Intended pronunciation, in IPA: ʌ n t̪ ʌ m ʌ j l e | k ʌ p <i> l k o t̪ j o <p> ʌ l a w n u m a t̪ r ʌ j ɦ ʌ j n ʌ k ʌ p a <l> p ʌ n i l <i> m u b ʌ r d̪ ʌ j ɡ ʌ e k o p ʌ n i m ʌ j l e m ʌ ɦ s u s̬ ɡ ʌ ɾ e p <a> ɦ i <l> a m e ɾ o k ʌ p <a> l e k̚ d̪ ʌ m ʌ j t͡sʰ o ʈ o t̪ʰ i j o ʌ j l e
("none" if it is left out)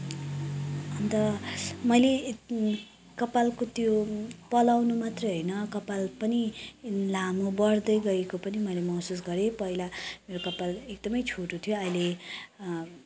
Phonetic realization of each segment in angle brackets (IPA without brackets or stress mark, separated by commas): a, p, l, a, ʌ, l, a